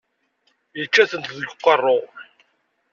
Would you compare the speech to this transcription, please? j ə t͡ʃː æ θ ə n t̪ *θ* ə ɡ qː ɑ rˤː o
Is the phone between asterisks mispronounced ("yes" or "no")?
yes